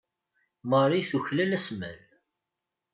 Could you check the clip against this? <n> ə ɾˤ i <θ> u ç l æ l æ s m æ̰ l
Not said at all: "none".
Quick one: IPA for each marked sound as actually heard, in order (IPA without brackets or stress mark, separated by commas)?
m, θ